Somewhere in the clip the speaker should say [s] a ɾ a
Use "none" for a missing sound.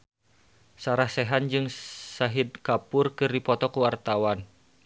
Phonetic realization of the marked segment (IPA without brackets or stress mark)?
s